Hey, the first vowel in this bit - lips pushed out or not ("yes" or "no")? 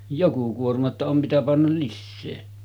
yes